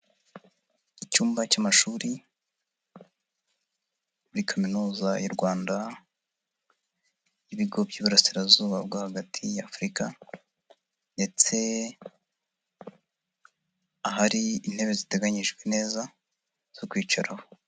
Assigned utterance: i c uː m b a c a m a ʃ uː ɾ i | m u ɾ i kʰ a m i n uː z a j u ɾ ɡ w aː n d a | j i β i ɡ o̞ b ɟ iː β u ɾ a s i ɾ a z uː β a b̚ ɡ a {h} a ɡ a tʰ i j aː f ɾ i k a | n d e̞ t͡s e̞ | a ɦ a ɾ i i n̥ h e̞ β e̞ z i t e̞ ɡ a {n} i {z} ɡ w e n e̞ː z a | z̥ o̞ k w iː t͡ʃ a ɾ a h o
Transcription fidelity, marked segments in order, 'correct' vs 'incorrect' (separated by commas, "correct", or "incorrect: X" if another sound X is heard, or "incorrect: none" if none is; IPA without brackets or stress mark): correct, incorrect: ɲ, incorrect: ʒ